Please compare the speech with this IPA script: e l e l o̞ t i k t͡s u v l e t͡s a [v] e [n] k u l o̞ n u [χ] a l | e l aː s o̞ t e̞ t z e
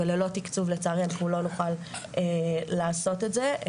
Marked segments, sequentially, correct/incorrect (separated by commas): incorrect, correct, correct